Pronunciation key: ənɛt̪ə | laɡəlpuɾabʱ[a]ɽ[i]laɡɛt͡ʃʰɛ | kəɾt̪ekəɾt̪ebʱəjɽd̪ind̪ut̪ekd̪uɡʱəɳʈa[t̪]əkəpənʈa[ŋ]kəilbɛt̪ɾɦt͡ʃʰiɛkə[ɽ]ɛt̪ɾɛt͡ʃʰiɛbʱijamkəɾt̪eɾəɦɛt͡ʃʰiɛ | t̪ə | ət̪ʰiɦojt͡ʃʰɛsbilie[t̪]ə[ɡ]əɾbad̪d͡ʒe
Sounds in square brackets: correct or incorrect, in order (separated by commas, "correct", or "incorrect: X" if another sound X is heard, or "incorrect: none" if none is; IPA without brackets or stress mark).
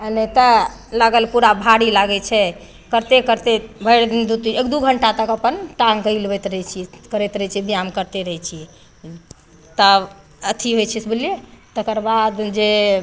correct, correct, correct, correct, incorrect: ɾ, correct, incorrect: k